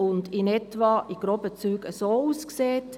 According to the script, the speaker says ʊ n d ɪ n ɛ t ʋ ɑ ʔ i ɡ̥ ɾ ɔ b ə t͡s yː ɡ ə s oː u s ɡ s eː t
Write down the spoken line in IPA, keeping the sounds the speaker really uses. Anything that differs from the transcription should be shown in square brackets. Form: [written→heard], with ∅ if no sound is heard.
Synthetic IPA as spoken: ʊ n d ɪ n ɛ t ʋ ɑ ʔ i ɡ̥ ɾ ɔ b ə t͡s yː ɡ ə s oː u s [ɡ→k] s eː t